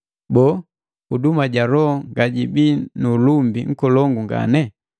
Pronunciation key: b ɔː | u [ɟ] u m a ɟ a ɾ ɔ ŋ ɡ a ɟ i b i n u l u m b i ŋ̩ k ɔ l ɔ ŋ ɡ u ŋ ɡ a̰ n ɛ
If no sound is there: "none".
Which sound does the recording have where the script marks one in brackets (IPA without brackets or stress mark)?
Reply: d